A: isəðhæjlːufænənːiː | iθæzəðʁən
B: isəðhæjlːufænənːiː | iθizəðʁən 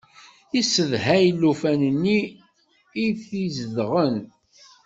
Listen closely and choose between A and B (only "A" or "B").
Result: B